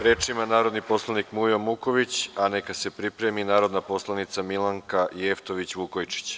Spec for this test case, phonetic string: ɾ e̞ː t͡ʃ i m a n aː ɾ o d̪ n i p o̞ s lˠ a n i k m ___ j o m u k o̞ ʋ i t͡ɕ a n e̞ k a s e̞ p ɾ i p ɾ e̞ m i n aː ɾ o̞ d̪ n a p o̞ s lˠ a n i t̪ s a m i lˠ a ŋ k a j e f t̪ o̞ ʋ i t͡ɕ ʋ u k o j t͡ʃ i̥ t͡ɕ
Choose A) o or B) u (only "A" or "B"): B